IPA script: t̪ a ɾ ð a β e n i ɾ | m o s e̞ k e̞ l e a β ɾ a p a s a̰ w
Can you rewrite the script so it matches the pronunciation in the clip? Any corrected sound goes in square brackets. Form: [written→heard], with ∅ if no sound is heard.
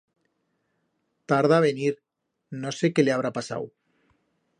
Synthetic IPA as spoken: t̪ a ɾ ð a β e n i ɾ | [m→n] o s e̞ k e̞ l e a β ɾ a p a s a̰ w